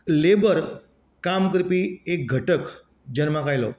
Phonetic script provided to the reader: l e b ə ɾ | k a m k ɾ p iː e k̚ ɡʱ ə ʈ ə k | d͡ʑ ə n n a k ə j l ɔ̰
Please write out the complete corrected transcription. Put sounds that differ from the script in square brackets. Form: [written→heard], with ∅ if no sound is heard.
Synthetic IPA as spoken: l e b ə ɾ | k a m k ɾ p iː e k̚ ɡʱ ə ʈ ə k | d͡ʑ ə n [n→m] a k [ə→a] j l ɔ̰